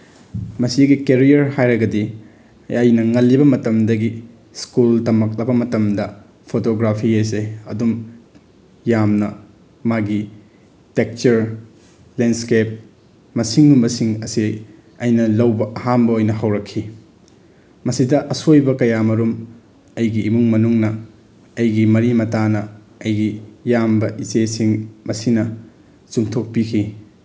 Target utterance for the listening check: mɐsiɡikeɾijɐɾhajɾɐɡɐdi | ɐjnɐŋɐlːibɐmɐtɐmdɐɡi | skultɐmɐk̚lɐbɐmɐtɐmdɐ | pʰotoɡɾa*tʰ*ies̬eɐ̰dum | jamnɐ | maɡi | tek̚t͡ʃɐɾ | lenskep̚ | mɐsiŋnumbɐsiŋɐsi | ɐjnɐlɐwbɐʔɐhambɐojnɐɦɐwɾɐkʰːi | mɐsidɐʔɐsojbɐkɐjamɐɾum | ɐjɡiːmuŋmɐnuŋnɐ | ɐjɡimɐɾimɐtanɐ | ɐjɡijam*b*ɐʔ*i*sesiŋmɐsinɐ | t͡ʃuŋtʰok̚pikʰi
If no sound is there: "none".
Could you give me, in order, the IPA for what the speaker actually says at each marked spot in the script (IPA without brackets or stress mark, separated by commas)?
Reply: pʰ, b, i